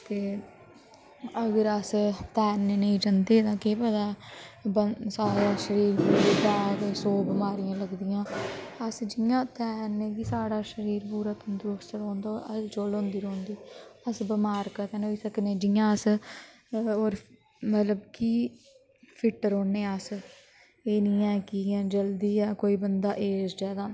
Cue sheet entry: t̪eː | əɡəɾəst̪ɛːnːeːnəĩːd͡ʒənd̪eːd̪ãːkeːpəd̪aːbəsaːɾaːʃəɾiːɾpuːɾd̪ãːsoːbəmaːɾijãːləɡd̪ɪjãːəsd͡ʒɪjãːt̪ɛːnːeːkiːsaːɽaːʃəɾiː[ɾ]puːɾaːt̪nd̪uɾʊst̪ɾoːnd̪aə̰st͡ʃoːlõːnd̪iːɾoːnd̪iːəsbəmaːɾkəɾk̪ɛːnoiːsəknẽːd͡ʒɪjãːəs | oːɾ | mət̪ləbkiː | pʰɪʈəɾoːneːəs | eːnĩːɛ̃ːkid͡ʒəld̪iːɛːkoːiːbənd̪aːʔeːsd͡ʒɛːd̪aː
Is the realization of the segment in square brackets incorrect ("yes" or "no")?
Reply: no